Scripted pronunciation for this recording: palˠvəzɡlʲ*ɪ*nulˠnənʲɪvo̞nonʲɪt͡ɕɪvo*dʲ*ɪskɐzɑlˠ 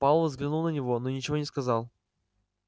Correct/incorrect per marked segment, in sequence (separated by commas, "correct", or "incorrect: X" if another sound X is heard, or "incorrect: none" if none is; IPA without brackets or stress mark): correct, incorrect: nʲ